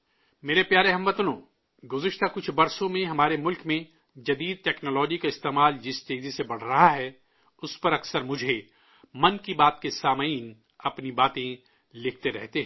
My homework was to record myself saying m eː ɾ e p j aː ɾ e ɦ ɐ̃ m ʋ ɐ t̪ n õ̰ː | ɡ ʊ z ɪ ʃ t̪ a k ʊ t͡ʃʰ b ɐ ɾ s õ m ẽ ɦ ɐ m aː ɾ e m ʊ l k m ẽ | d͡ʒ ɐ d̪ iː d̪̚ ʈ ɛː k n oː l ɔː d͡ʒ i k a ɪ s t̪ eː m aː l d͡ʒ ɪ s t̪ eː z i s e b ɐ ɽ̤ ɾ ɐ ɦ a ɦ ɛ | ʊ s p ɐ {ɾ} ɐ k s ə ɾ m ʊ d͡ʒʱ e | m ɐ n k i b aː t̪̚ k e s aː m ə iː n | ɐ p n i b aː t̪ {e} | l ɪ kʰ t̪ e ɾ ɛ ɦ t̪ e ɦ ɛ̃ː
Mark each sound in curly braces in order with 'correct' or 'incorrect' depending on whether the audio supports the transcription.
correct, incorrect: ẽ

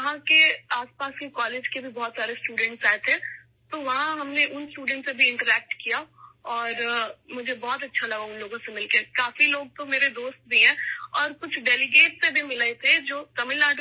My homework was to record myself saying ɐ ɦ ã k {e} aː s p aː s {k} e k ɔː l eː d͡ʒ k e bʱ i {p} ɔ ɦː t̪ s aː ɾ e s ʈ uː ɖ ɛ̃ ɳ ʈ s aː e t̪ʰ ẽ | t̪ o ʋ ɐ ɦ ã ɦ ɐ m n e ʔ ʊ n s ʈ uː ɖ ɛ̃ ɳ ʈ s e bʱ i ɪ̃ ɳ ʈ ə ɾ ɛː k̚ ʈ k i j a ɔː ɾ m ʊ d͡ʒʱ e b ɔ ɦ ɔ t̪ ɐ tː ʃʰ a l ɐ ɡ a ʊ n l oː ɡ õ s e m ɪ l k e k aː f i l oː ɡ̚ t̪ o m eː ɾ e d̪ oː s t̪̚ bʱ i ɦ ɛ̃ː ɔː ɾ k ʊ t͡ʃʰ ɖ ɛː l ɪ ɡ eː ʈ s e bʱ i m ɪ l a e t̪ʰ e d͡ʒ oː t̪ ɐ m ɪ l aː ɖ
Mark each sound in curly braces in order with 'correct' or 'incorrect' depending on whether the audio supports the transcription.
correct, correct, incorrect: b

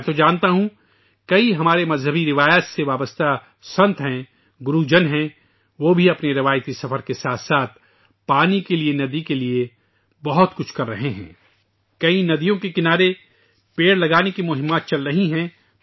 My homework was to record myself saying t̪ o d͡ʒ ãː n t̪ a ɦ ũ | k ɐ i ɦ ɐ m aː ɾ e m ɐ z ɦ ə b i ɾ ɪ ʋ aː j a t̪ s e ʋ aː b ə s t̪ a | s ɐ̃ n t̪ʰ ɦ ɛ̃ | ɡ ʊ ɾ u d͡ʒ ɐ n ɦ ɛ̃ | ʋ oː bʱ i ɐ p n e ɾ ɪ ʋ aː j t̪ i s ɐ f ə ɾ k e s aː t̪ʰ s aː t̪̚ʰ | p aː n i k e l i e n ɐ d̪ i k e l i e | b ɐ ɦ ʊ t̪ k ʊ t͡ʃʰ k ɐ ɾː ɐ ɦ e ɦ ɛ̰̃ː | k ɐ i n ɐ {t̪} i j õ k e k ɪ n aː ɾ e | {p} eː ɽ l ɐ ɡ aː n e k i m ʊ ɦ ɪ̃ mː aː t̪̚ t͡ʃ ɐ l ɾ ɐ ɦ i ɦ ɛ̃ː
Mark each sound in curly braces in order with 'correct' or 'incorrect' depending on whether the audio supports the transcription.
incorrect: d̪, correct

